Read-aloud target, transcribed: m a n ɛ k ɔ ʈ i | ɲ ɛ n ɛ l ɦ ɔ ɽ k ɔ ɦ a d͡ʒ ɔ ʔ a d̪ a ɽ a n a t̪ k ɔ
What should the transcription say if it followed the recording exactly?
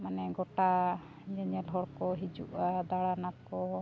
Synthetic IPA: m a n ɛ ɡ ɔ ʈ a | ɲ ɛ ɲ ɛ l ɦ ɔ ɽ k ɔ ɦ i d͡ʒ u ʔ a d̪ a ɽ a n a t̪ k ɔ